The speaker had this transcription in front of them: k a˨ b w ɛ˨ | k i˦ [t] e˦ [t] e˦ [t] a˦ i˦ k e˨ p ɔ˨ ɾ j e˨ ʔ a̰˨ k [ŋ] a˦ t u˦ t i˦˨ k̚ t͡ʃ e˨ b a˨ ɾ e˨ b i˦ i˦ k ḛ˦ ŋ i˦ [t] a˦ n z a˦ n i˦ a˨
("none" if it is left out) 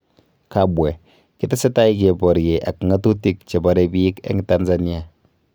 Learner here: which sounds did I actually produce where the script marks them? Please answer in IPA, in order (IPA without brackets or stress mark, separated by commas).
t, s, t, ŋ, t